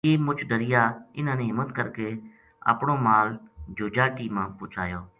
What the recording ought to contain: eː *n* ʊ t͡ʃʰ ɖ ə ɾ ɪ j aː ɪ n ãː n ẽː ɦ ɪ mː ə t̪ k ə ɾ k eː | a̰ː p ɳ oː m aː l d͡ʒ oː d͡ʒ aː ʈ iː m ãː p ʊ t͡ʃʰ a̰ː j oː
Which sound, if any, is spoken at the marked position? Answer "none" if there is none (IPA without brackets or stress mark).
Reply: m